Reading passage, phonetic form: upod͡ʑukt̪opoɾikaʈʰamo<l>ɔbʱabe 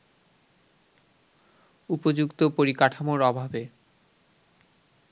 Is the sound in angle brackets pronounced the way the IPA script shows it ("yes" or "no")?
no